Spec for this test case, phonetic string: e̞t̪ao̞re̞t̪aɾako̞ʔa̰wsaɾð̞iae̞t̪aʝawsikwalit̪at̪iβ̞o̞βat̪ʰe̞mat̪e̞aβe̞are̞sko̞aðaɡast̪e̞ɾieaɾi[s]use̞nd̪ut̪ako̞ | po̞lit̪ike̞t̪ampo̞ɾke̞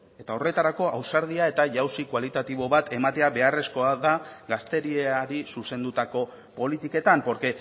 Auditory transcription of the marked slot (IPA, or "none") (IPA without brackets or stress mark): s